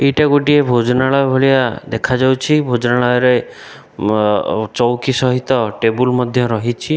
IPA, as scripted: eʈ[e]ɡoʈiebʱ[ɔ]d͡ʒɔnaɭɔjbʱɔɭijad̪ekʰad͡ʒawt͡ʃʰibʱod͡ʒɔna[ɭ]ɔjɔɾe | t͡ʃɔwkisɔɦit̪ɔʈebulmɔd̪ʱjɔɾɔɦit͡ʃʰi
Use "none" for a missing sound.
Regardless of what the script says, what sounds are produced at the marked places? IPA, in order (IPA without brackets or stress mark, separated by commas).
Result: a, o, ɭ